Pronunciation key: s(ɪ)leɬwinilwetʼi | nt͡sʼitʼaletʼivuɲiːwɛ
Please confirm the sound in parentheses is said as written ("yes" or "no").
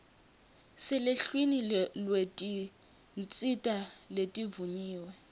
yes